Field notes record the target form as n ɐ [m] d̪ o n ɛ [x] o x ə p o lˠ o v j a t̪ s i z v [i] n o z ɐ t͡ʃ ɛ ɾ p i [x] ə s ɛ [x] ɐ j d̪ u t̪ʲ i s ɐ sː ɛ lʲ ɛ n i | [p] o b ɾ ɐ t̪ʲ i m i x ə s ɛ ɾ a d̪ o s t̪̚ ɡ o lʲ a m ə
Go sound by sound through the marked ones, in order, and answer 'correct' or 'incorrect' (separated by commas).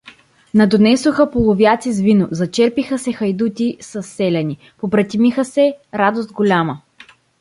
incorrect, incorrect, correct, correct, correct, correct